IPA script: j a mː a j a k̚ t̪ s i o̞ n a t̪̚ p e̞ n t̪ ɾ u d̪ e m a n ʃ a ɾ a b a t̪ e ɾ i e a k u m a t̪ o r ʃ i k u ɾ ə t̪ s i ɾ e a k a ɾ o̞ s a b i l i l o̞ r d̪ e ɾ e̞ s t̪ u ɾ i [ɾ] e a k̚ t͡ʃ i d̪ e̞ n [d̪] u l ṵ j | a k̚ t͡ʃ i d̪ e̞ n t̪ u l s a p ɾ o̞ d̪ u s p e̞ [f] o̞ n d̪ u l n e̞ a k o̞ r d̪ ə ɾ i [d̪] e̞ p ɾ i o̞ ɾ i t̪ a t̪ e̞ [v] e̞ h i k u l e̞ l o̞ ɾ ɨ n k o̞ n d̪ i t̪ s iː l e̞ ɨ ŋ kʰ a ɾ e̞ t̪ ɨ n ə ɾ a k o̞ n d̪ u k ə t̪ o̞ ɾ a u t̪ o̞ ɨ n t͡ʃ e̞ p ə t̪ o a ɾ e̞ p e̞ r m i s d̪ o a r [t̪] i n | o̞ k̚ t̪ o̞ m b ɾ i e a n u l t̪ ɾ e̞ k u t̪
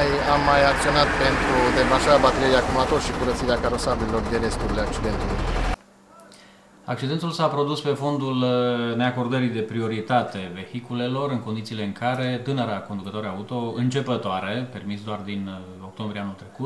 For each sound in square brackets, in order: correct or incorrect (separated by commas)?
incorrect, incorrect, correct, correct, correct, incorrect